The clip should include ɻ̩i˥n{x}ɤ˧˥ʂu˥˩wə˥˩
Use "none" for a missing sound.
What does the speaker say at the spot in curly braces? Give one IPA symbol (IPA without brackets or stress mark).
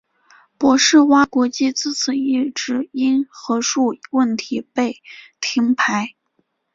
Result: x